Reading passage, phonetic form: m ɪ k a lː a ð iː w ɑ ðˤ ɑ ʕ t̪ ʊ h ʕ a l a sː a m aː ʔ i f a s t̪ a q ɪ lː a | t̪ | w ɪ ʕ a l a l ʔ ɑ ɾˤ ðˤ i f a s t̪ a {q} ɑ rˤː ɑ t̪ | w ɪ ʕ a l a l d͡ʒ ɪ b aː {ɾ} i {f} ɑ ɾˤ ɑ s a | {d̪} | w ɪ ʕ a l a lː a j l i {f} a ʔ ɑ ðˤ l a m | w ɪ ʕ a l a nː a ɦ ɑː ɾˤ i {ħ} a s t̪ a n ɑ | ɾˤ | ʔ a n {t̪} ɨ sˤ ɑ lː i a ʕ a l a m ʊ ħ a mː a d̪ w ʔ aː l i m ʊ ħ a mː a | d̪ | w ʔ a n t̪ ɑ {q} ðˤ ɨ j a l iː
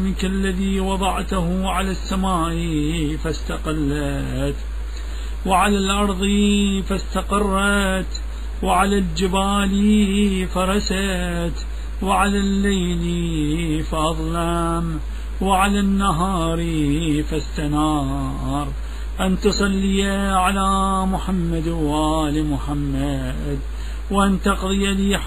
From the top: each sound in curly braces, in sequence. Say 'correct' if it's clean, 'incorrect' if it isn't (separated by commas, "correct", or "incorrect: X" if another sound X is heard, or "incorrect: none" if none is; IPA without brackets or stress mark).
correct, incorrect: l, correct, incorrect: t̪, correct, incorrect: f, correct, correct